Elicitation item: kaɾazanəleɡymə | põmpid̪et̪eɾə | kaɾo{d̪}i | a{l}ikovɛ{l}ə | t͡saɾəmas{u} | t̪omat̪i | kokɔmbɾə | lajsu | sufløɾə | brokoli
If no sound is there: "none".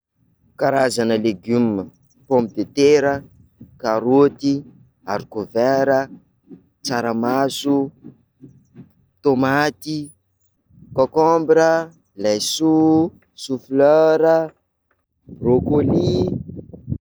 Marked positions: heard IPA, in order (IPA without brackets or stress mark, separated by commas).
t̪, ɾ, ɾ, u